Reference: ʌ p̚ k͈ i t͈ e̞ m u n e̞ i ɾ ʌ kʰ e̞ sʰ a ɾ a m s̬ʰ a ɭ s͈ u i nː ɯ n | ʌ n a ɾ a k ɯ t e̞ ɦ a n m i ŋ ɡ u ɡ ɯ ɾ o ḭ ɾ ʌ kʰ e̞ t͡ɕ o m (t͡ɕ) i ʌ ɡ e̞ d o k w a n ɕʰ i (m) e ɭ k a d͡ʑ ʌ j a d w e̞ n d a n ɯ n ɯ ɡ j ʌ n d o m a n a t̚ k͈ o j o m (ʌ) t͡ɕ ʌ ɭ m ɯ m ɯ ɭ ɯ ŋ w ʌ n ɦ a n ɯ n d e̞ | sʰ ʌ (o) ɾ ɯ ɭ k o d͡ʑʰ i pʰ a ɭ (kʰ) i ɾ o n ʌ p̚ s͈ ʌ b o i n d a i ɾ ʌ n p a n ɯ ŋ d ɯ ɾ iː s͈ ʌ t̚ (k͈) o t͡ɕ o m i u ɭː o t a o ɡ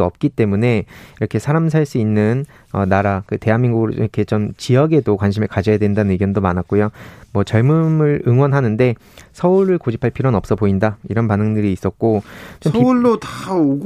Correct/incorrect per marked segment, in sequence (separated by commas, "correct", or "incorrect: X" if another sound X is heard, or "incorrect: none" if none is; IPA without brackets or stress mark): correct, correct, correct, incorrect: u, incorrect: pʰ, correct